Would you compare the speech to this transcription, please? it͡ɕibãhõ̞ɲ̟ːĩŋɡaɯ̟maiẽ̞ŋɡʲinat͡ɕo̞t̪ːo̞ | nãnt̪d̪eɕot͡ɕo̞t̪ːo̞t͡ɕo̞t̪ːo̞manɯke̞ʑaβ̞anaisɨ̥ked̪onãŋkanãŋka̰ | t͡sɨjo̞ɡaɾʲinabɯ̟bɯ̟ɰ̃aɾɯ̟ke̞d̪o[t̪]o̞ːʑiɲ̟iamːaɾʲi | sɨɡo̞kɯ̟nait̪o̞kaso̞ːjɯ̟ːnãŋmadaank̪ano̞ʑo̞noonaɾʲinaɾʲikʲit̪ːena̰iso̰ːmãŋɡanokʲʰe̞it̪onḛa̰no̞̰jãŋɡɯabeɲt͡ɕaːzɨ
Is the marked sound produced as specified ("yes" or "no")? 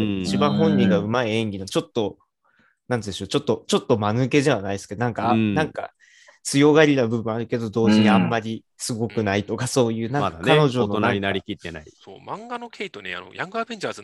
no